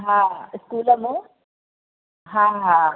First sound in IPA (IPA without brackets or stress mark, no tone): ɦ